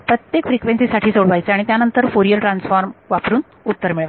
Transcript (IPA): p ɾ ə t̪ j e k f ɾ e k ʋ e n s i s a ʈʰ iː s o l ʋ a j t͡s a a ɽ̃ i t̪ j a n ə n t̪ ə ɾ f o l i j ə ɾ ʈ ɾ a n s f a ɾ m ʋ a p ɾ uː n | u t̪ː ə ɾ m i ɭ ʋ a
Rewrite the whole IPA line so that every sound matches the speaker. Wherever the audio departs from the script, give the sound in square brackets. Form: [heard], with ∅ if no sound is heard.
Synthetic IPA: p ɾ ə t̪ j e k f ɾ [i] k ʋ e n s i s a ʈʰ iː s o [ɽ] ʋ a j t͡s [e] a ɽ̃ i t̪ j a n ə n t̪ ə ɾ f o [ɾ] i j ə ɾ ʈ ɾ a n s f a ɾ m ʋ a p ɾ uː n | u t̪ː ə ɾ m i ɭ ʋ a